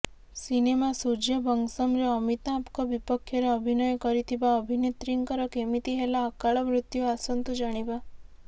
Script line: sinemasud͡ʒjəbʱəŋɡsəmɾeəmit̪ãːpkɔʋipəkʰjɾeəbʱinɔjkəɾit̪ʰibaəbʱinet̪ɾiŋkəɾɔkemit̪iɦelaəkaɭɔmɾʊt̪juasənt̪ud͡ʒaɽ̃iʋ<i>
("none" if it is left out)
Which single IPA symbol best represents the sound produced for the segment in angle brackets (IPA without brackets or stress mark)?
a